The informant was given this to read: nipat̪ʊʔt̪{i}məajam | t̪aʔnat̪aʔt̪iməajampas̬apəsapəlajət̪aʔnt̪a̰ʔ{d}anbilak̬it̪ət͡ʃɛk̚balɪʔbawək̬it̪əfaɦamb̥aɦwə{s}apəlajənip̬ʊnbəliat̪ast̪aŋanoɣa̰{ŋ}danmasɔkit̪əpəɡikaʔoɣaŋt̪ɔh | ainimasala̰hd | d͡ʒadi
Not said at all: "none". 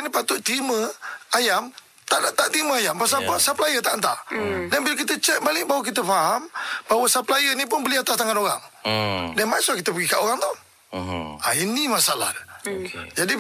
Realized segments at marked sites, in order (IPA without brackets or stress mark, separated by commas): i, d, s, ŋ